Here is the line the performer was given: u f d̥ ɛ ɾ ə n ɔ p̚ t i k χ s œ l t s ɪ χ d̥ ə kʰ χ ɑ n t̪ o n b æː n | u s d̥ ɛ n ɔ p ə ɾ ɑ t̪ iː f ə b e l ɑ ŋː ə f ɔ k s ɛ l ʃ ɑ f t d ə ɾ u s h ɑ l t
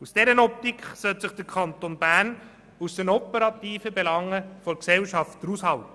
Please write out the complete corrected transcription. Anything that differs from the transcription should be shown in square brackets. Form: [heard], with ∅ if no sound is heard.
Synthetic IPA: u [s] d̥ ɛ ɾ ə n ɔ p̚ t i k χ s œ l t s ɪ χ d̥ ə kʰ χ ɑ n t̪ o n b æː n | u s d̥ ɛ n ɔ p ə ɾ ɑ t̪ iː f ə b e l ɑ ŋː ə f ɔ k s ɛ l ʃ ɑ f t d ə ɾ u s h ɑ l t